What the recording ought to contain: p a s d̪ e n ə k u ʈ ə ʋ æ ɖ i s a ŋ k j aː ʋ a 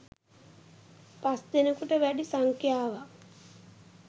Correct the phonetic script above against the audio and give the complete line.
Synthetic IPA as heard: p a s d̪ e n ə k u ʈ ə ʋ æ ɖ i s a ŋ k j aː ʋ a